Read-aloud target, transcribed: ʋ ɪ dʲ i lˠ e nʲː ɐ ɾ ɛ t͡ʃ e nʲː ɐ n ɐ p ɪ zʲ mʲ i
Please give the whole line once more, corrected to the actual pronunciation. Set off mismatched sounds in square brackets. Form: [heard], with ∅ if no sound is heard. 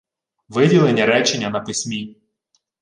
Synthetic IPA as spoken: ʋ ɪ dʲ i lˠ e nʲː ɐ ɾ ɛ t͡ʃ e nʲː ɐ n ɐ p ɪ [sʲ] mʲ i

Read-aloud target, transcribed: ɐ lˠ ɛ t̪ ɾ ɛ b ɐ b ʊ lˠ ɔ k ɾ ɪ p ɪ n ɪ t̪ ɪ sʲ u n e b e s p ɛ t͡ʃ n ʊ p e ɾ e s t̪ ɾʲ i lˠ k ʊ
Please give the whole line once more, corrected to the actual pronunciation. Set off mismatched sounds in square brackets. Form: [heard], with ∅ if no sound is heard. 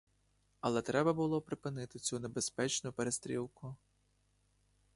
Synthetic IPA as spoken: ɐ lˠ ɛ t̪ ɾ ɛ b ɐ b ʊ lˠ ɔ [p] ɾ ɪ p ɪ n ɪ t̪ ɪ [t͡sʲ] u n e b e s p ɛ t͡ʃ n ʊ p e ɾ e s t̪ ɾʲ i lˠ k ʊ

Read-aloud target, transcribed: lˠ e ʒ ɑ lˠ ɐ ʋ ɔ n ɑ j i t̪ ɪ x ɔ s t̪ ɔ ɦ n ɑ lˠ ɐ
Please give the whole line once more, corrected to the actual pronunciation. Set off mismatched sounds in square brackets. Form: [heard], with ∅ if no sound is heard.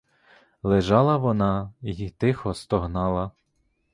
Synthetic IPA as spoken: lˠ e ʒ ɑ lˠ ɐ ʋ ɔ n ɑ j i t̪ ɪ x ɔ s t̪ ɔ ɦ n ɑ lˠ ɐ

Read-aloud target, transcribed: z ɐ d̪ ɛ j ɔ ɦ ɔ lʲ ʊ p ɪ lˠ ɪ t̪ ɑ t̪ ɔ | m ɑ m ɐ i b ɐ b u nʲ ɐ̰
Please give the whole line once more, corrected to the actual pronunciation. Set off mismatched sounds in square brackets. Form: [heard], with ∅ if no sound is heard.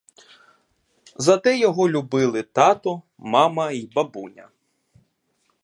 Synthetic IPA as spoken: z ɐ [t̪] ɛ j ɔ ɦ ɔ lʲ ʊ [b] ɪ lˠ ɪ t̪ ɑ t̪ ɔ | m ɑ m ɐ i b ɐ b u nʲ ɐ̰

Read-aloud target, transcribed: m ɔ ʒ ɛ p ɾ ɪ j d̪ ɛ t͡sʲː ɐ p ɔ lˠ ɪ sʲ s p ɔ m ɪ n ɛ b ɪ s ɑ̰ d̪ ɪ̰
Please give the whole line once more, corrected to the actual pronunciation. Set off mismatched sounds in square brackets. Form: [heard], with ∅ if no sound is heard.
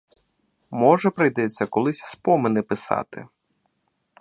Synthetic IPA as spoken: m ɔ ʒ ɛ p ɾ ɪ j d̪ ɛ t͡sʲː ɐ [k] ɔ lˠ ɪ sʲ s p ɔ m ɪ n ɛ [p] ɪ s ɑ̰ [t̪] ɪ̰

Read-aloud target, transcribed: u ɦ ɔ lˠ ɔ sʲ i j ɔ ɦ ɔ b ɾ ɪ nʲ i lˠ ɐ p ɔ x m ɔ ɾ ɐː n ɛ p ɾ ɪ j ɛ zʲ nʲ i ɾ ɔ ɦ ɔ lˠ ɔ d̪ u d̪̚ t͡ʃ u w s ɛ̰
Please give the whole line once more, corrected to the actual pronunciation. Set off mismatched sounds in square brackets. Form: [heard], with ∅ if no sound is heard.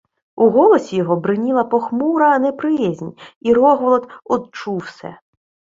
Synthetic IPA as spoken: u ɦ ɔ lˠ ɔ sʲ i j ɔ ɦ ɔ b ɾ ɪ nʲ i lˠ ɐ p ɔ x m [u] ɾ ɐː n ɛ p ɾ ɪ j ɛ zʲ nʲ i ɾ ɔ ɦ ɔ lˠ ɔ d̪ [ɔ] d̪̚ t͡ʃ u w s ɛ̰

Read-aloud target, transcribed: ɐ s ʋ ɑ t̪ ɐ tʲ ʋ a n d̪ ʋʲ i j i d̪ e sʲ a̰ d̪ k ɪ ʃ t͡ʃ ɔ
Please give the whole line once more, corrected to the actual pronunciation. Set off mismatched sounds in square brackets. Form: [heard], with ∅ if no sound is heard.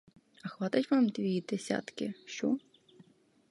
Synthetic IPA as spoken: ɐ [x] ʋ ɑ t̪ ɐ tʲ ʋ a [m] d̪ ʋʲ i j i d̪ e sʲ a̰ [t̪] k ɪ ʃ t͡ʃ ɔ

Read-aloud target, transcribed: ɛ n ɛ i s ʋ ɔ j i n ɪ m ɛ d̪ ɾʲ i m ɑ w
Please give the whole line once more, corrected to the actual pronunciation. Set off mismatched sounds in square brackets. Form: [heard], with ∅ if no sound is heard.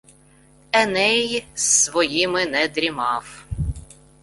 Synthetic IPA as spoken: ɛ n ɛ [j] s ʋ ɔ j i [m] ɪ [n] ɛ d̪ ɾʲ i m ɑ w

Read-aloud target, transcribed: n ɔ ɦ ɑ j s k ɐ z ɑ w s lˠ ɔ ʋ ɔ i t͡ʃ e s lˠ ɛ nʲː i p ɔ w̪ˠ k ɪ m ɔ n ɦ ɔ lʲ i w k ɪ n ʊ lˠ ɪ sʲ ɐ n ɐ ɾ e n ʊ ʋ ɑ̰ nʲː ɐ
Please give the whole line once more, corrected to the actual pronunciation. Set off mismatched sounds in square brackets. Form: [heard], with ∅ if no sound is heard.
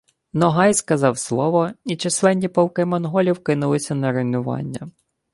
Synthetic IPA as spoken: n ɔ ɦ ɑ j s k ɐ z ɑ w s lˠ ɔ ʋ ɔ i t͡ʃ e s lˠ ɛ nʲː i p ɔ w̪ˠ k ɪ m ɔ n ɦ ɔ lʲ i w k ɪ n ʊ lˠ ɪ sʲ ɐ n ɐ ɾ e n ʊ ʋ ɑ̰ nʲː ɐ

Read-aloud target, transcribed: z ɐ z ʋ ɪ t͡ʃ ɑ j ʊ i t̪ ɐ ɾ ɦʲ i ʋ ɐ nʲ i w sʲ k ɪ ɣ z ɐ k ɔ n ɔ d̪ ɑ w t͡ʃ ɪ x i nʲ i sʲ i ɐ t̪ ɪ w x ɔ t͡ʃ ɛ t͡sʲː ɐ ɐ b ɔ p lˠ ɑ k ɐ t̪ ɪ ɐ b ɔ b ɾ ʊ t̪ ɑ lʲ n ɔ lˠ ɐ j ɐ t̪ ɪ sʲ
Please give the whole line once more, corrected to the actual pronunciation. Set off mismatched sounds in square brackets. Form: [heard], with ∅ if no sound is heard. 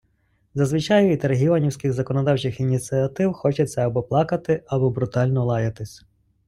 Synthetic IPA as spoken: z ɐ z ʋ ɪ t͡ʃ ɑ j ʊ i t̪ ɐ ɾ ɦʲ i ʋ ɐ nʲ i w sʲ k ɪ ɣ z ɐ k ɔ n ɔ d̪ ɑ w t͡ʃ ɪ x i nʲ i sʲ i ɐ t̪ ɪ w x ɔ t͡ʃ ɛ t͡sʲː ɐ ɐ b ɔ p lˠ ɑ k ɐ t̪ ɪ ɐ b ɔ b ɾ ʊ t̪ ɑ lʲ n ɔ lˠ [ɑ] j ɐ t̪ ɪ sʲ

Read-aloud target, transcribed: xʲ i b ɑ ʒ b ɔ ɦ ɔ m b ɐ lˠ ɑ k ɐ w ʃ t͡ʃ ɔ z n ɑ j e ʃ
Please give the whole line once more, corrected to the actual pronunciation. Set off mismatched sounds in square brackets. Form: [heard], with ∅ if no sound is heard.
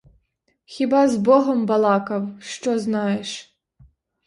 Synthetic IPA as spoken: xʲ i b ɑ [z] b ɔ ɦ ɔ m b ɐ lˠ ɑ k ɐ w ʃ t͡ʃ ɔ z n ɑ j e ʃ

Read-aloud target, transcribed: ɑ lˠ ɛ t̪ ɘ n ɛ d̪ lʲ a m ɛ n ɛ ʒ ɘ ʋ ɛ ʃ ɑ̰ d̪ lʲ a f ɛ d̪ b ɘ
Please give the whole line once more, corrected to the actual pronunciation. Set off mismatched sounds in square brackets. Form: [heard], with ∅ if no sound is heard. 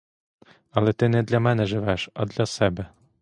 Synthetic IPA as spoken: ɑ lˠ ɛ t̪ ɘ n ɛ d̪ lʲ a m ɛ n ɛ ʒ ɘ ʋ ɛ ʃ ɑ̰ d̪ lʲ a [s] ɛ [∅] b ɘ

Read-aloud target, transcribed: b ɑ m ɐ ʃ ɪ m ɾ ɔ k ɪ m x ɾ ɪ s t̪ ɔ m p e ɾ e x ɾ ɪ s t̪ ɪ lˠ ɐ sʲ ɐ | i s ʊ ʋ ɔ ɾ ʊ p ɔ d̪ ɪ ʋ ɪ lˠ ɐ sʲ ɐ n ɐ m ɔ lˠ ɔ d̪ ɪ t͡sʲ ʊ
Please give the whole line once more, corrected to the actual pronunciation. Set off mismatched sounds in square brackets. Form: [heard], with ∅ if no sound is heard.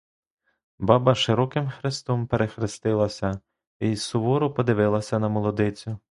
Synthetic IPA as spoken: b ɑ [b] ɐ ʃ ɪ [∅] ɾ ɔ k ɪ m x ɾ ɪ s t̪ ɔ m p e ɾ e x ɾ ɪ s t̪ ɪ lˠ ɐ sʲ ɐ | i s ʊ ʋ ɔ ɾ ʊ p ɔ d̪ ɪ ʋ ɪ lˠ ɐ sʲ ɐ n ɐ m ɔ lˠ ɔ d̪ ɪ t͡sʲ ʊ

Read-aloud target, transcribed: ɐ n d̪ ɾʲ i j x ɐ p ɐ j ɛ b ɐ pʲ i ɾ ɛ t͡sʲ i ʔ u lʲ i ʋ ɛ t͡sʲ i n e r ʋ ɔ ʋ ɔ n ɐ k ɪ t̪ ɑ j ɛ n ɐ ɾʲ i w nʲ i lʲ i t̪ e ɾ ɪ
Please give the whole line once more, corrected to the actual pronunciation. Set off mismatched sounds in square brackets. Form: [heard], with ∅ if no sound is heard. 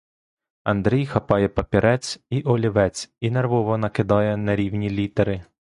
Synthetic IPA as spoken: ɐ n d̪ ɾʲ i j x ɐ p [ɑ] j ɛ [p] ɐ pʲ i ɾ ɛ t͡sʲ i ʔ [ɔ] lʲ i ʋ ɛ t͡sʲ i n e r ʋ ɔ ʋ ɔ n ɐ k ɪ [d̪] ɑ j ɛ n ɐ ɾʲ i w nʲ i lʲ i t̪ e ɾ ɪ

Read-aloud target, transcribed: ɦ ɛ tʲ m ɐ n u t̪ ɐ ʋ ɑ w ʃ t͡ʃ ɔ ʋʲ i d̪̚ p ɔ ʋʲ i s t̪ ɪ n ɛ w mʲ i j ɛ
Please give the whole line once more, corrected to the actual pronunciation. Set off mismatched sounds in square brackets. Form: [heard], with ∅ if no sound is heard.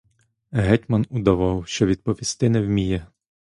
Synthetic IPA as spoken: ɦ ɛ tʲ m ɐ n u [d̪] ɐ ʋ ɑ w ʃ t͡ʃ ɔ ʋʲ i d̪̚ p ɔ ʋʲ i s t̪ ɪ n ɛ w mʲ i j ɛ

